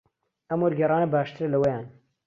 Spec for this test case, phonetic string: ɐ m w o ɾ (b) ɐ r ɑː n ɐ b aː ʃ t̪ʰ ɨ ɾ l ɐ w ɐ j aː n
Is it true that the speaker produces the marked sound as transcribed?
no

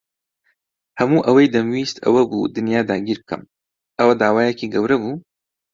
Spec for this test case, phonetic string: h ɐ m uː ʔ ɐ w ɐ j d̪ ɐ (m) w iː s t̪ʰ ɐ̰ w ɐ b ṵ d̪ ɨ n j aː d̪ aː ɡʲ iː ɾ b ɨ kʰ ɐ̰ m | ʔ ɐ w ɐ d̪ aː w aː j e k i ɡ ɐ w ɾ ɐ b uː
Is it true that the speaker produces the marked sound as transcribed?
yes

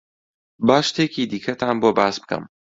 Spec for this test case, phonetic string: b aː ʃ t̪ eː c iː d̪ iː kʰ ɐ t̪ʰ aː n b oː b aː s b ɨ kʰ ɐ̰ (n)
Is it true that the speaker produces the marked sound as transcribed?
no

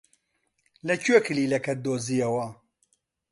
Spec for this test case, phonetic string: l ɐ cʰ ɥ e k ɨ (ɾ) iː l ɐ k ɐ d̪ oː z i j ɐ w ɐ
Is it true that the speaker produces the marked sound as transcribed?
no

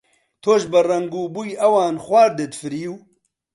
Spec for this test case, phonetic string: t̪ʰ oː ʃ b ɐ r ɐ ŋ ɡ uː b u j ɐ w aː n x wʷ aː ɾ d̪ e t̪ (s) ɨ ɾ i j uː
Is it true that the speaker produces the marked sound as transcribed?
no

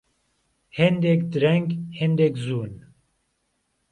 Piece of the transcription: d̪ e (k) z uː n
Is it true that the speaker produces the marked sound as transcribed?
yes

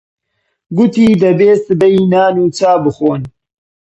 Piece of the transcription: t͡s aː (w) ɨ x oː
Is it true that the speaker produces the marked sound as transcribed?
no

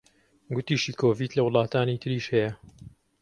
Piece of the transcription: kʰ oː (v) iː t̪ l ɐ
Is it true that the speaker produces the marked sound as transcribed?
yes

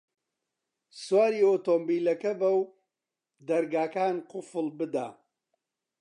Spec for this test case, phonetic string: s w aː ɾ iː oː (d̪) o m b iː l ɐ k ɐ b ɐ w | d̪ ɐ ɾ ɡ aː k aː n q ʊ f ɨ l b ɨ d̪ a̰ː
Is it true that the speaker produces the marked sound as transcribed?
no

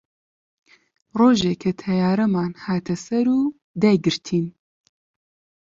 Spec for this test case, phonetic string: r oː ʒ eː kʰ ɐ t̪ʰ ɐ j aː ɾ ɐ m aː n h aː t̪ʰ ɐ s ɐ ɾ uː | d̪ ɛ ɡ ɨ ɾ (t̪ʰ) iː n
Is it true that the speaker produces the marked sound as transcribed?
yes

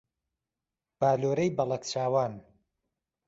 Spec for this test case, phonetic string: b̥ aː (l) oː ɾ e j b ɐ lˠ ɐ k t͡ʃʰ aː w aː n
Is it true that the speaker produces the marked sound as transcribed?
yes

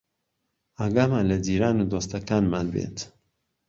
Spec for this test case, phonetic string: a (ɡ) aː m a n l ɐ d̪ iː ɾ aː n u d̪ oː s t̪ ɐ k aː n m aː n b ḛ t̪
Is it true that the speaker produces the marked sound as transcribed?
yes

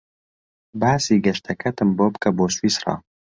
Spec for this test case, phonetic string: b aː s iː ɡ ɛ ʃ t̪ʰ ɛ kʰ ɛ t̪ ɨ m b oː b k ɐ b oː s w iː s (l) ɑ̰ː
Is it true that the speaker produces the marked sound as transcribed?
no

